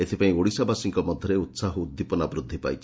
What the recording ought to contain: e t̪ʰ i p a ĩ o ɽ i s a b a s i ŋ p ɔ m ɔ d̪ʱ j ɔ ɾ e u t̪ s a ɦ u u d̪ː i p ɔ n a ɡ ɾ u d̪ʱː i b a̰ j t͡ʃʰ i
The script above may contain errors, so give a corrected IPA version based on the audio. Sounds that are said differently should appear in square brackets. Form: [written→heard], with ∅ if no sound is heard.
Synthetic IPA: e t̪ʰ i p a ĩ o ɽ i s a b a s i ŋ [p→k] ɔ m ɔ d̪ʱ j ɔ ɾ e u t̪ s a ɦ [u→ɔ] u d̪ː i p ɔ n a [ɡ→b] ɾ u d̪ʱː i [b→p] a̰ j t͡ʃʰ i